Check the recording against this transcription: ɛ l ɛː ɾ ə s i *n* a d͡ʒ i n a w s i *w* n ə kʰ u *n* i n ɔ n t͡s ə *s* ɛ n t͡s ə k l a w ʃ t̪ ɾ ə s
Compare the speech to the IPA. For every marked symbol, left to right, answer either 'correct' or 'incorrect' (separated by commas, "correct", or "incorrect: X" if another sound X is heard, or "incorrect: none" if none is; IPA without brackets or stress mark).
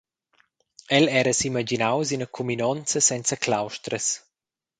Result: incorrect: m, incorrect: none, incorrect: m, correct